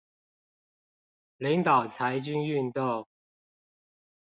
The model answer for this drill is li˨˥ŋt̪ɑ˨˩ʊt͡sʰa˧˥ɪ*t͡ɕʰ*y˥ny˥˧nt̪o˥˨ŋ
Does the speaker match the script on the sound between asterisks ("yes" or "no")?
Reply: no